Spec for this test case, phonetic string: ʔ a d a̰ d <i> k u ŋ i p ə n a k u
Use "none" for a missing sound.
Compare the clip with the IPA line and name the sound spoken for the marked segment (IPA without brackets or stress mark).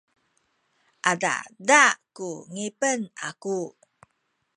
a